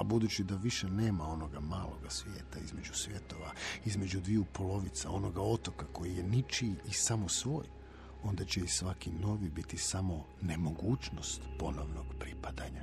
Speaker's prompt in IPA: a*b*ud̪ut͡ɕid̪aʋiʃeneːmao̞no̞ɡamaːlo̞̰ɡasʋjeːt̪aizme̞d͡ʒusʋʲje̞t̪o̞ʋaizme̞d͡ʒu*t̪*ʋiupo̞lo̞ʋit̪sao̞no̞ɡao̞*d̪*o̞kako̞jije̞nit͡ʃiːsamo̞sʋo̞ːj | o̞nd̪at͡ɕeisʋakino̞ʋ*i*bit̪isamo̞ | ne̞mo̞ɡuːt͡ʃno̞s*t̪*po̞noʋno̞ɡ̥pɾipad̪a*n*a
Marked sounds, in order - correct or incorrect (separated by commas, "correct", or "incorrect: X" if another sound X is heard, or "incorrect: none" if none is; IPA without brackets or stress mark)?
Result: correct, incorrect: d̪, incorrect: t̪, correct, correct, incorrect: ɲ